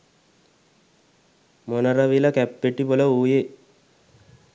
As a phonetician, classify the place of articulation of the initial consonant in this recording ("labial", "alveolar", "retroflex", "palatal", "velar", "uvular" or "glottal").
labial